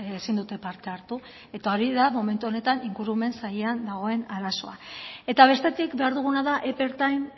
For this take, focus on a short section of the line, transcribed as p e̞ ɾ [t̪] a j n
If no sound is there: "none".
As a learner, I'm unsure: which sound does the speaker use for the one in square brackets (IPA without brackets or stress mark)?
t̪